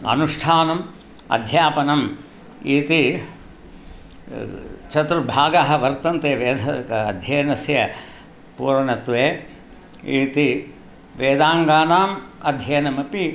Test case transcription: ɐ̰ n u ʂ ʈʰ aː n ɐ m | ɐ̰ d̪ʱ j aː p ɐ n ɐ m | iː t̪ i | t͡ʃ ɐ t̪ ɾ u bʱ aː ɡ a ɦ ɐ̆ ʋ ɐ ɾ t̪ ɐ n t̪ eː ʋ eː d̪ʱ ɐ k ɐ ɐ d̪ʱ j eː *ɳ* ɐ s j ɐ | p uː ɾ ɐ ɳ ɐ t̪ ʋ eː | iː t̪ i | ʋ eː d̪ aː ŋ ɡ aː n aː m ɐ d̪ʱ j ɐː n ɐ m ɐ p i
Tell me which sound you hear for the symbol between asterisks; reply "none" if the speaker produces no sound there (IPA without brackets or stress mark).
n